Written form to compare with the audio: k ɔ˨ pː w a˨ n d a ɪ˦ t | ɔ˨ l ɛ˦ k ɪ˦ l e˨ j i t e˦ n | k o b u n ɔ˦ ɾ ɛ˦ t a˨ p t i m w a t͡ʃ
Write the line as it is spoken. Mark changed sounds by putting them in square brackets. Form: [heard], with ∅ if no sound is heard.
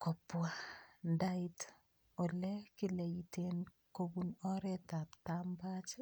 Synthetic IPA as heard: k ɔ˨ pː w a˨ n d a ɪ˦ t | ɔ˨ l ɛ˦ k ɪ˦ l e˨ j i t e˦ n | k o b u n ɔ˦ ɾ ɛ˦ t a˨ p t [a] m [b] a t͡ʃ